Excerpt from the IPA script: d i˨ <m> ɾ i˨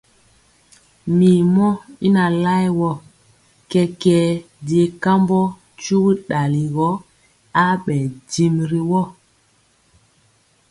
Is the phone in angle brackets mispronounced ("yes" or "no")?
no